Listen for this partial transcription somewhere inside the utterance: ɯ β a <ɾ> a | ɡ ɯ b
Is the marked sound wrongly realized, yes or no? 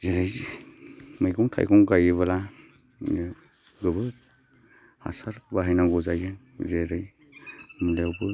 yes